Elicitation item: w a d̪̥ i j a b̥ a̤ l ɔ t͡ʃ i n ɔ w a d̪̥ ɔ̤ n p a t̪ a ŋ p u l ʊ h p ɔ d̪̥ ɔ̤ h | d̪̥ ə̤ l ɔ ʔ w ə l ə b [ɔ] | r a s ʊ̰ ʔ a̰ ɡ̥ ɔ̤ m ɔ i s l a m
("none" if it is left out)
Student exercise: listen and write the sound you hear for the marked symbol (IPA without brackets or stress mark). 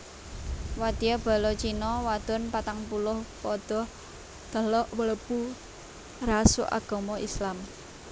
u